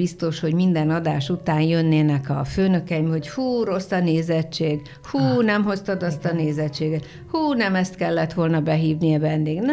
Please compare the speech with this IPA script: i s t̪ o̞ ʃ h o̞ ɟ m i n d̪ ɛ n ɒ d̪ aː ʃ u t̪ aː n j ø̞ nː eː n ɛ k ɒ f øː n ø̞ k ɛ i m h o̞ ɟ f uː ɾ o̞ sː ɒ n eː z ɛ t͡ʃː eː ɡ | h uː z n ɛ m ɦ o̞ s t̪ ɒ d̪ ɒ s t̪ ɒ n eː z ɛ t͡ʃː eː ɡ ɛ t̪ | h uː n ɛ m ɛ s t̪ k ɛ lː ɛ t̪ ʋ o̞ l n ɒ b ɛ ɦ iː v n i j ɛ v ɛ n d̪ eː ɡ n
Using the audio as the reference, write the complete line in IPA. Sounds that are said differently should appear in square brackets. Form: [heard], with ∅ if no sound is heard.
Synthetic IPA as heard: i s t̪ o̞ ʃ h o̞ ɟ m i n d̪ ɛ n ɒ d̪ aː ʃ u t̪ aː n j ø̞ nː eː n ɛ k ɒ f øː n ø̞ k ɛ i m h o̞ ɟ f uː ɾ o̞ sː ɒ n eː z ɛ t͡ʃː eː ɡ | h uː [∅] n ɛ m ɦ o̞ s t̪ ɒ d̪ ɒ s t̪ ɒ n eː z ɛ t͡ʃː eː ɡ ɛ t̪ | h uː n ɛ m ɛ s t̪ k ɛ lː ɛ t̪ ʋ o̞ l n ɒ b ɛ ɦ iː v n i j ɛ v ɛ n d̪ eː ɡ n